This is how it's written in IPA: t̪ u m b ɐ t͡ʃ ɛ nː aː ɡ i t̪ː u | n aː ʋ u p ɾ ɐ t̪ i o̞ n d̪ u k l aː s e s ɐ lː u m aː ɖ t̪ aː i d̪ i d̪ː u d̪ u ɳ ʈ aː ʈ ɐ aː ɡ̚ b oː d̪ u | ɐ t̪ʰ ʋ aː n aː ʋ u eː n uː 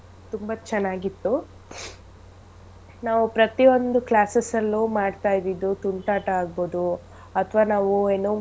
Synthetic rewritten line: t̪ u m b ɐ t͡ʃ ɛ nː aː ɡ i t̪ː u | n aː ʋ u p ɾ ɐ t̪ i o̞ n d̪ u k l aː s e s ɐ lː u m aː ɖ t̪ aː j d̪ i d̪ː u t̪ u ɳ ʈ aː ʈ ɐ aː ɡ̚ b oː d̪ u | ɐ t̪ʰ ʋ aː n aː ʋ u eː n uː